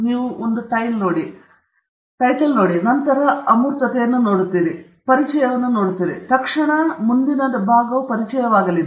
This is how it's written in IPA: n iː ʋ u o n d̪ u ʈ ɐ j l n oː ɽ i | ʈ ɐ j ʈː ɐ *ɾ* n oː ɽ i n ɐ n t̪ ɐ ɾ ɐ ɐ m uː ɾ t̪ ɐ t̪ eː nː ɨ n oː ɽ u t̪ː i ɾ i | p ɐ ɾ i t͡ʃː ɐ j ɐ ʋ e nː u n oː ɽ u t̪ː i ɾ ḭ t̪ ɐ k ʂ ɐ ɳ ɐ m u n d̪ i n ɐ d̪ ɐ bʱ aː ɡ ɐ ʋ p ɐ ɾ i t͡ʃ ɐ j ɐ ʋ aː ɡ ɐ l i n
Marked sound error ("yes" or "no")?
yes